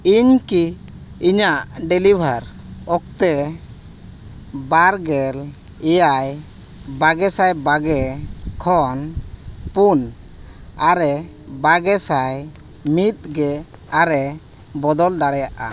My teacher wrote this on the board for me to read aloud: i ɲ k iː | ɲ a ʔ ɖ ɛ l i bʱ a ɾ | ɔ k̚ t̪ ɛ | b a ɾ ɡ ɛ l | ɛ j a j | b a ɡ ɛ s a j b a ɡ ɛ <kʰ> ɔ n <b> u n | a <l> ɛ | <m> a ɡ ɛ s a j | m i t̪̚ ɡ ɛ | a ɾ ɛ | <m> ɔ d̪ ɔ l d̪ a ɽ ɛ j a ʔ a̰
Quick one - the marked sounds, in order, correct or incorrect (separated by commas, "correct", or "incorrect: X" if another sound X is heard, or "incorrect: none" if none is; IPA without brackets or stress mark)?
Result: correct, incorrect: p, incorrect: ɾ, incorrect: b, incorrect: b